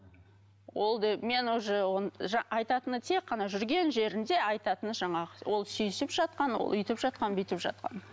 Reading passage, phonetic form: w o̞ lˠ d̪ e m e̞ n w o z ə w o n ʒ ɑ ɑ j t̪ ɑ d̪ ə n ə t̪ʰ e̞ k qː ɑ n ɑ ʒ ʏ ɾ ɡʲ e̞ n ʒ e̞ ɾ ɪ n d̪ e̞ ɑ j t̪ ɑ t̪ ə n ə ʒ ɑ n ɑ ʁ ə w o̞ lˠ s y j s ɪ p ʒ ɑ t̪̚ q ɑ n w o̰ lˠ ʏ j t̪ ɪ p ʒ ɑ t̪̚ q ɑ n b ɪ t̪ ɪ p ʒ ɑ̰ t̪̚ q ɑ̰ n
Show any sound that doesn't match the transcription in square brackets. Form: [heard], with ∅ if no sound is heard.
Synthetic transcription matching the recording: w o̞ lˠ d̪ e m e̞ n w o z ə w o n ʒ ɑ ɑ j t̪ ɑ [t̪] ə n ə t̪ʰ e̞ k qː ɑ n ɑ ʒ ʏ ɾ ɡʲ e̞ n ʒ e̞ ɾ ɪ n d̪ e̞ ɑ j t̪ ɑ t̪ ə n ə ʒ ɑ [ɴ] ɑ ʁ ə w o̞ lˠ s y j s ɪ p ʒ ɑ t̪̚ q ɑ n w o̰ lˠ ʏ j t̪ ɪ p ʒ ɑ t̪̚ q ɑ n b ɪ t̪ ɪ p ʒ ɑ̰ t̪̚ q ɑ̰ n